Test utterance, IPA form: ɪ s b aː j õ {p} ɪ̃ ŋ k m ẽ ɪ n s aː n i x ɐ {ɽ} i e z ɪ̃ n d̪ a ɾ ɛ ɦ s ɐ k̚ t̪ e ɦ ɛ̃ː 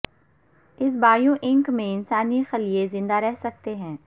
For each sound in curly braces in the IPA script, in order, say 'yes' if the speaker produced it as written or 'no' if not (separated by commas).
no, no